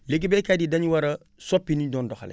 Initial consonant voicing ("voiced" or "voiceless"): voiced